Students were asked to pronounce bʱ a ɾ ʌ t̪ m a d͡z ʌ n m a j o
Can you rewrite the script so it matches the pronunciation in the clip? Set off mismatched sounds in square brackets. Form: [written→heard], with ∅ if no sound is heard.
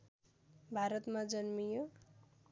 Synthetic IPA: bʱ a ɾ ʌ t̪ m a d͡z ʌ n m [a→i] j o